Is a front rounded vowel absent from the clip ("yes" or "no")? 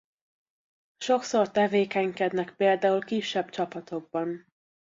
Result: yes